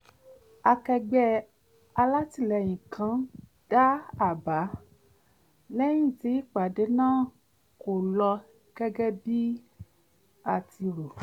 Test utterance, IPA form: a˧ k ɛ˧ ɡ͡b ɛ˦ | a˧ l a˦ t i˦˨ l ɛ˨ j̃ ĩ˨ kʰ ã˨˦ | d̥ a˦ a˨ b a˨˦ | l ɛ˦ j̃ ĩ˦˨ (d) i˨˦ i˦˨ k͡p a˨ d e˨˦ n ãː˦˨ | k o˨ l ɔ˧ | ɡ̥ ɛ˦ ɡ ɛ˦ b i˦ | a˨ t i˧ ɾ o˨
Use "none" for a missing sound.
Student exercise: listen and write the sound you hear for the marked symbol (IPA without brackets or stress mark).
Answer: t